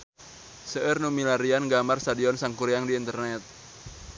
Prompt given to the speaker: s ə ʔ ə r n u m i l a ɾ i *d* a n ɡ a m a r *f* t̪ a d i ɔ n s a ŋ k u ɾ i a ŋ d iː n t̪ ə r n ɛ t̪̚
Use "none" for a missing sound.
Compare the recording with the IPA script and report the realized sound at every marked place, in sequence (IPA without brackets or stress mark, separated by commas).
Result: none, s